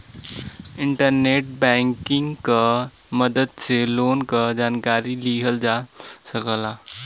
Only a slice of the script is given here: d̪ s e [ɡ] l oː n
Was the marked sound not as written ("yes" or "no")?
yes